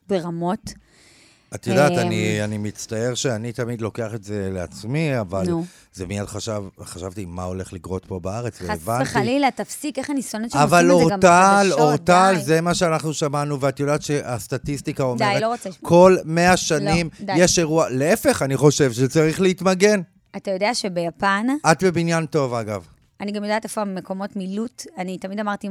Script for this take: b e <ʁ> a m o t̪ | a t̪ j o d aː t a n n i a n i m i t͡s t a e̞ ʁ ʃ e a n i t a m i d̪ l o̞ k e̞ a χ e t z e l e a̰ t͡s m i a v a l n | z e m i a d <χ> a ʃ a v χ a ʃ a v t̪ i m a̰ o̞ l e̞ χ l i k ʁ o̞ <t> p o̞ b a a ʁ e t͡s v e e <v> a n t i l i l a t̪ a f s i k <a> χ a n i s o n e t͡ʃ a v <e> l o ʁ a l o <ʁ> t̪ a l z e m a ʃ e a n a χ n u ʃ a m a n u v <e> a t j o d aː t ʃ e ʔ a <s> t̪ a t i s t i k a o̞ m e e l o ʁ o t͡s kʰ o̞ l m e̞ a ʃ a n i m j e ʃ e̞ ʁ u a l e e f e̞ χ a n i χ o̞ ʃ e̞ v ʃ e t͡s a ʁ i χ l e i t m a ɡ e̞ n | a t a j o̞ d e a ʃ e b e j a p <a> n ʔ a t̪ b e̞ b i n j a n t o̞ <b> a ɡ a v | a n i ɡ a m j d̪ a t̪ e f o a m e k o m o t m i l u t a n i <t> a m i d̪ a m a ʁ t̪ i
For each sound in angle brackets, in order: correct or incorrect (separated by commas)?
correct, correct, correct, correct, incorrect, incorrect, correct, correct, correct, correct, incorrect, correct